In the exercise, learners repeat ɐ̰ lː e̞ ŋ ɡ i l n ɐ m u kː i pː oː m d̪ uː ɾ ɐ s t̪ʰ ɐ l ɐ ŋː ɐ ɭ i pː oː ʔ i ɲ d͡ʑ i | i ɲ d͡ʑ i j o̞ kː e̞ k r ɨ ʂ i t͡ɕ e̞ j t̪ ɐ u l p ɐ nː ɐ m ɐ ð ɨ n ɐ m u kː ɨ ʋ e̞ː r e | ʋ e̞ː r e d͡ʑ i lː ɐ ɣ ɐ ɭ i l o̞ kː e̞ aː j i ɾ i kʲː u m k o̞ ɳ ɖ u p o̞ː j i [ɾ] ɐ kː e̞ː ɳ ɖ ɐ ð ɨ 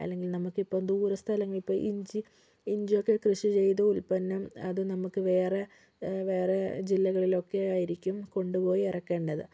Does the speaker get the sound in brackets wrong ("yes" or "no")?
yes